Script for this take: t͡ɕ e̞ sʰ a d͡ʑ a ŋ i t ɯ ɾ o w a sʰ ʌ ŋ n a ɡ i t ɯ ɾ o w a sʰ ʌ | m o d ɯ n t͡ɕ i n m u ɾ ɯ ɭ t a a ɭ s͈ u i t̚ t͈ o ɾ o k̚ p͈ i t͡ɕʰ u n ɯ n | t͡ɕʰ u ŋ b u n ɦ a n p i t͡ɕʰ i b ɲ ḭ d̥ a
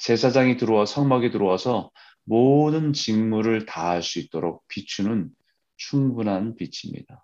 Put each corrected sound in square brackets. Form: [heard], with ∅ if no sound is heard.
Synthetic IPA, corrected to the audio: t͡ɕ e̞ sʰ a d͡ʑ a ŋ i t ɯ ɾ o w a sʰ ʌ ŋ [m] a ɡ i t ɯ ɾ o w a sʰ ʌ | m o d ɯ n t͡ɕ i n m u ɾ ɯ ɭ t a a ɭ s͈ u i t̚ t͈ o ɾ o k̚ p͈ i t͡ɕʰ u n ɯ n | t͡ɕʰ u ŋ b u n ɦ a n p i t͡ɕʰ i [m] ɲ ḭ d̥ a